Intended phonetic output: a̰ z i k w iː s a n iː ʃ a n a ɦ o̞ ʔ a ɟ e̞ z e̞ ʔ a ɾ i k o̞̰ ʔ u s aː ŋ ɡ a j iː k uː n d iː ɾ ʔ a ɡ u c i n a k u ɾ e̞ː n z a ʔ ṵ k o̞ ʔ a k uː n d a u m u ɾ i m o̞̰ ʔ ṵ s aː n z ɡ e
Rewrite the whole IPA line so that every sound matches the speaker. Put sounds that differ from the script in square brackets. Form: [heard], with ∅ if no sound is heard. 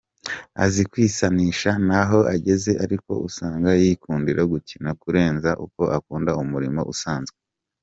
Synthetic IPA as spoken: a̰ z i k w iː s a n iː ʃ a n a ɦ o̞ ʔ a ɟ e̞ z e̞ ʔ a ɾ i k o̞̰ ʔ u s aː ŋ ɡ a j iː k uː n d [i] ɾ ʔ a ɡ u c i n a k u ɾ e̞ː n z a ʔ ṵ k o̞ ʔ a k uː n d a u m u ɾ i m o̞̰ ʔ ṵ s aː n z ɡ e

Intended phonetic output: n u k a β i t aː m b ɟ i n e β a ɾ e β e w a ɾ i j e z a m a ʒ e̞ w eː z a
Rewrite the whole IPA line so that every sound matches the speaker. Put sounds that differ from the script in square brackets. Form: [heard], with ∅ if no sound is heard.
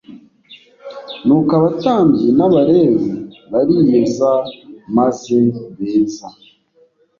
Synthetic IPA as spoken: n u k a β [a] t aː m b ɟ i n [a] β a ɾ e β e [β] a ɾ i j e z a m a [z] e̞ [β] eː z a

